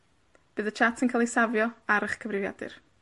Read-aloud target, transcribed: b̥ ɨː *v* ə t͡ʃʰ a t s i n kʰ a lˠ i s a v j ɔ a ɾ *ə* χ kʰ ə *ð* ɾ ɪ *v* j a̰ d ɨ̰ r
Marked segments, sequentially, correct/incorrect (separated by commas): incorrect, correct, incorrect, correct